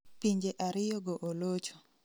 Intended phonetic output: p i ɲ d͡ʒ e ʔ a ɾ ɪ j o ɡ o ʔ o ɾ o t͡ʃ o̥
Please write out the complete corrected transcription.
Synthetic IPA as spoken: p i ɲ d͡ʒ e ʔ a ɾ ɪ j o ɡ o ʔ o l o t͡ʃ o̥